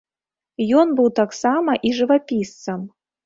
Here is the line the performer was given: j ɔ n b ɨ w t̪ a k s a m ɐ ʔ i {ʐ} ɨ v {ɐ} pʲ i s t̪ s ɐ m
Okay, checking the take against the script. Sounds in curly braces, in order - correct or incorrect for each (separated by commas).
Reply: correct, incorrect